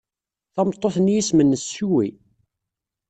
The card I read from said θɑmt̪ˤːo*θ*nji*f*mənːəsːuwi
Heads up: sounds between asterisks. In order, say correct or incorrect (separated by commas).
correct, incorrect